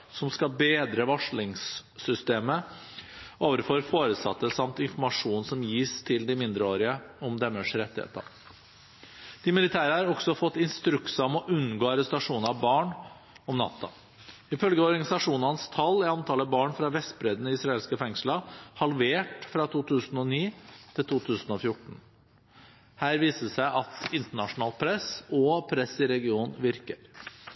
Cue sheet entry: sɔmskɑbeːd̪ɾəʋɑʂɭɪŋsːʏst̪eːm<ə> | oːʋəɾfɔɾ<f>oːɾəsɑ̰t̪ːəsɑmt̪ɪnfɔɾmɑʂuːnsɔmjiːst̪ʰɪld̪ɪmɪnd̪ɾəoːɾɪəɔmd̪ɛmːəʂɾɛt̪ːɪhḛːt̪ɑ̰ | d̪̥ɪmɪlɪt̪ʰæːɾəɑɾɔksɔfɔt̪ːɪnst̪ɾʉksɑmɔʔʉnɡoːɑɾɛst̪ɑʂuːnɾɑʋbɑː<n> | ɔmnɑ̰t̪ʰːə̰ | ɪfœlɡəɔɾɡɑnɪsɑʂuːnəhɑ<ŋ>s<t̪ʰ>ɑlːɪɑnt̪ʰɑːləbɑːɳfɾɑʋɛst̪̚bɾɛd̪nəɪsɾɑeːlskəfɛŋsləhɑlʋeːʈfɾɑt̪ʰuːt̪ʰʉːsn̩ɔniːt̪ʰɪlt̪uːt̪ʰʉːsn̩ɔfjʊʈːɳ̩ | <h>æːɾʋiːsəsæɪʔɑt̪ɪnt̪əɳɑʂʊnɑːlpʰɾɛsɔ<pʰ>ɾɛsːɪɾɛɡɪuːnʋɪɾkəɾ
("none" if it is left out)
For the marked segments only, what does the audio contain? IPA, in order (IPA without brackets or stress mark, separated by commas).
ə, f, ɳ, n, t̪ʰ, h, pʰ